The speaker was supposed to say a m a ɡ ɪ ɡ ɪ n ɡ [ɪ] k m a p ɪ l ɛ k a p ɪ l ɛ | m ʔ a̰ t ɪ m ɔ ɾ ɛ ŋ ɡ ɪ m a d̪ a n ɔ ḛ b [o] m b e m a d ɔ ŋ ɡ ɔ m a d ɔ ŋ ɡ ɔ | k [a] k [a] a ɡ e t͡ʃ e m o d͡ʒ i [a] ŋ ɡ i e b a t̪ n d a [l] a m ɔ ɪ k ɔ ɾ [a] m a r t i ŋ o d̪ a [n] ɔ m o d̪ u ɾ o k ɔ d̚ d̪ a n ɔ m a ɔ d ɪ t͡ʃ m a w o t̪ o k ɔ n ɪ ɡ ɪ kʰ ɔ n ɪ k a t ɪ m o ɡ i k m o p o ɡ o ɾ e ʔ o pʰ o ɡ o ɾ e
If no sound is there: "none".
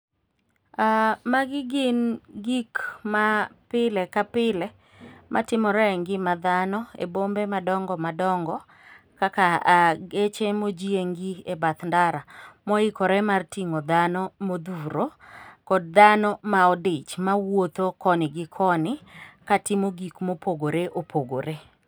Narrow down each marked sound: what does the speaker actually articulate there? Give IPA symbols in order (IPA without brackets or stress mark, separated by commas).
i, o, a, a, e, ɾ, ɛ, n